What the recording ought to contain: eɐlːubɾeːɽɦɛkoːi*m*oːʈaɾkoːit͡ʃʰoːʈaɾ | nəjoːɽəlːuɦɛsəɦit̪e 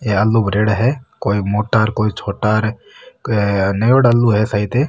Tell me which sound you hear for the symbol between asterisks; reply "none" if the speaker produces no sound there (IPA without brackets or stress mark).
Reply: m